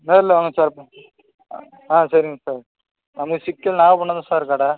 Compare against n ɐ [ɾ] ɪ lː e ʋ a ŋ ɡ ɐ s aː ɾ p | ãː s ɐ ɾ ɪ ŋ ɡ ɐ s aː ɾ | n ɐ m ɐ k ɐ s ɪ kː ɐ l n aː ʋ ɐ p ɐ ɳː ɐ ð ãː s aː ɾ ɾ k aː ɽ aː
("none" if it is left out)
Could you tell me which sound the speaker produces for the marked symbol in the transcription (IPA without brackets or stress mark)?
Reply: ɾ